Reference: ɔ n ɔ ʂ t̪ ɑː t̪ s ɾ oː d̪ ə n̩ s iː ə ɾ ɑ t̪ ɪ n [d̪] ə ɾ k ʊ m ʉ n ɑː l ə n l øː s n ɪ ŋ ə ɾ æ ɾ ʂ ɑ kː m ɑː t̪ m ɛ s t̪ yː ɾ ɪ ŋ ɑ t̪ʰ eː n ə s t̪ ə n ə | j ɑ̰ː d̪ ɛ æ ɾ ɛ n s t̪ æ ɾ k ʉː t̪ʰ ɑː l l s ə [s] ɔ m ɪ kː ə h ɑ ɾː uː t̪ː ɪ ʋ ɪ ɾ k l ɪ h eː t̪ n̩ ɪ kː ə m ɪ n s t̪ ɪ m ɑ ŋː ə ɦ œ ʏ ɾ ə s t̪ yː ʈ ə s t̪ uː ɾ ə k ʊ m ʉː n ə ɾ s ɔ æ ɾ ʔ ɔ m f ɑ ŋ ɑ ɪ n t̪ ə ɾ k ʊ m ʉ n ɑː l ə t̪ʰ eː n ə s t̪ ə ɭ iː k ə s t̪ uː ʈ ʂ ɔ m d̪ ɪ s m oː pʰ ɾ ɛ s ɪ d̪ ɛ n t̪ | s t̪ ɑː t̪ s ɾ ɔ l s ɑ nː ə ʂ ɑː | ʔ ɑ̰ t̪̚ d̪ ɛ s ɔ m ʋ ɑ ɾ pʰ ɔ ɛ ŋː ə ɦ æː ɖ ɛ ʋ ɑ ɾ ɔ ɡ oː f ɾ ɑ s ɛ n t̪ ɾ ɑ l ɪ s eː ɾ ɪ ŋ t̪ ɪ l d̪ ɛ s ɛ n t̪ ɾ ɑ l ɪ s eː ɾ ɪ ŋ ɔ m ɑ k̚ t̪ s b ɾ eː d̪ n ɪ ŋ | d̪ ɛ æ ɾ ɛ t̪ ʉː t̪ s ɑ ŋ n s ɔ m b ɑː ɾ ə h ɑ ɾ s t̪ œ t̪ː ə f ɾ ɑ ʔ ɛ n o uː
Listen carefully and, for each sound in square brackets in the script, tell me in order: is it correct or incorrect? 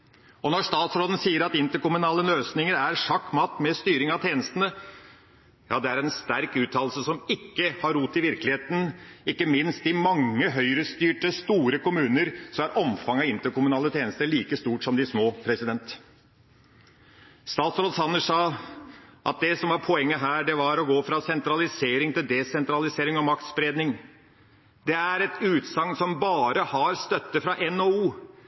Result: incorrect, correct

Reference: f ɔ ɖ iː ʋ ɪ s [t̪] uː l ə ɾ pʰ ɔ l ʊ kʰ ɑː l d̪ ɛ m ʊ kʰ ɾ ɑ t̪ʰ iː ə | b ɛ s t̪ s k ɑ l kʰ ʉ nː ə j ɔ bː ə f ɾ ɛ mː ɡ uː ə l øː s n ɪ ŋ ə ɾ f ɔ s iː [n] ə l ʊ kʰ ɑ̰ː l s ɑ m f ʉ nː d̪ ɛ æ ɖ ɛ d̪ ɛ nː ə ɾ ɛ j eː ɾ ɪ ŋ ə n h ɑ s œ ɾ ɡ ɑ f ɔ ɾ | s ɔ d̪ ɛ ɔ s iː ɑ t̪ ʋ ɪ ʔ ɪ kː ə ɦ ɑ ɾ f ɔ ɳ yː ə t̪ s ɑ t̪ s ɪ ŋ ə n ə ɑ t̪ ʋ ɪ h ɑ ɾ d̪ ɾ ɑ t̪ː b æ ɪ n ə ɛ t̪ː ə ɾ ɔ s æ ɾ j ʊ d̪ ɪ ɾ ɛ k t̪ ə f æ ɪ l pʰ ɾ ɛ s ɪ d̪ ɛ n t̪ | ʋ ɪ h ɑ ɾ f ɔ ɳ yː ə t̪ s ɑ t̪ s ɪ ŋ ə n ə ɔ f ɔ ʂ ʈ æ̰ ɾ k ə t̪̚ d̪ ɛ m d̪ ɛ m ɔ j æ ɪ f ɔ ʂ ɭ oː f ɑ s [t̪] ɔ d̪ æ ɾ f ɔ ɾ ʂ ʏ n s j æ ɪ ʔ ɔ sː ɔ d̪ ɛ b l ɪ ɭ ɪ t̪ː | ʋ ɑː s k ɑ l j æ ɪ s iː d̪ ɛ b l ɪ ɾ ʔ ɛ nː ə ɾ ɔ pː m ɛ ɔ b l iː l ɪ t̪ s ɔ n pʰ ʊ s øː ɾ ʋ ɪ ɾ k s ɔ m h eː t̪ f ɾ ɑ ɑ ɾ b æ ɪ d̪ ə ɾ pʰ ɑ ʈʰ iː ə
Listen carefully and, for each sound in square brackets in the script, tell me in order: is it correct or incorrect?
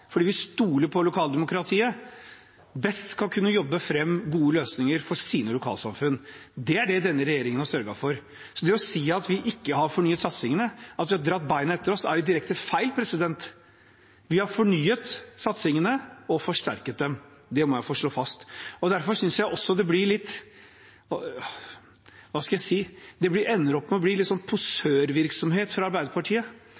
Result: correct, correct, correct

